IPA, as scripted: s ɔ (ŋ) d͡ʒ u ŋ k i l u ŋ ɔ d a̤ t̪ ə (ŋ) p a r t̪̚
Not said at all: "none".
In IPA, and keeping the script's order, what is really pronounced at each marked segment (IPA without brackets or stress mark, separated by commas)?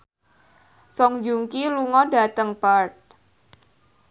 ŋ, ŋ